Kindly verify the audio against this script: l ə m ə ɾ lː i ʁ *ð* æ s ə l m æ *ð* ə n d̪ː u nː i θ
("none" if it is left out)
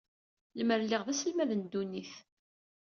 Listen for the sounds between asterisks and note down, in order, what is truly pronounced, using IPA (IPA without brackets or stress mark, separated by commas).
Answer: ð, ð